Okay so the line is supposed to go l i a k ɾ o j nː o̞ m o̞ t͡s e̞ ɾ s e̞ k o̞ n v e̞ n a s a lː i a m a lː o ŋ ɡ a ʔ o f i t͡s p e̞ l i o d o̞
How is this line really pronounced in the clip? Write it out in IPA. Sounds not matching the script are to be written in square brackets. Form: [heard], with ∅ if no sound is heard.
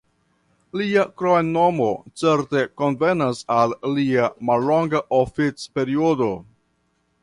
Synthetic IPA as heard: l i a k ɾ o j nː o̞ m o̞ t͡s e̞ ɾ [t] e̞ k o̞ n v e̞ n a s a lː i a m a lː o ŋ ɡ a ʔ o f i t͡s p e̞ [ɾ] i o d o̞